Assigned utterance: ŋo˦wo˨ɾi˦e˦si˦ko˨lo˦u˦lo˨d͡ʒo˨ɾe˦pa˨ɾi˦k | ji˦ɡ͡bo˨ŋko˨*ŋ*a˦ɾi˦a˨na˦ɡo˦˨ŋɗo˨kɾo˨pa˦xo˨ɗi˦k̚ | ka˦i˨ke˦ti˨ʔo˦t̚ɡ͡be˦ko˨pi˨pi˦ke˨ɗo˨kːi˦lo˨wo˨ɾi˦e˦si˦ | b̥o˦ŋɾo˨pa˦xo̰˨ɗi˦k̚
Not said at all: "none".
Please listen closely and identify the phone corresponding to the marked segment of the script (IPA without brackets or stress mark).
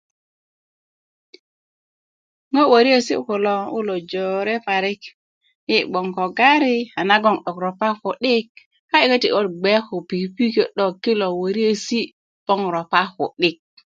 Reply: ɡ